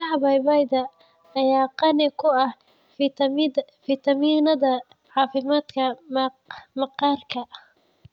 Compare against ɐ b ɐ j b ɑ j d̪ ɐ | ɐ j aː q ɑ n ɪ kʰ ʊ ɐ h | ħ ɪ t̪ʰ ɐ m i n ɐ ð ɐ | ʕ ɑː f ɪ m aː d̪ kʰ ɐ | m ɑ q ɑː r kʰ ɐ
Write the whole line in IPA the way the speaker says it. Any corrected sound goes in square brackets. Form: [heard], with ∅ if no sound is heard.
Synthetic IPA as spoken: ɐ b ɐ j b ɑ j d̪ ɐ | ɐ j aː q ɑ n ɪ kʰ ʊ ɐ h | [f] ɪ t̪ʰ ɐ m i n ɐ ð ɐ | ʕ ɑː f ɪ m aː d̪ kʰ ɐ | m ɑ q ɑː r kʰ ɐ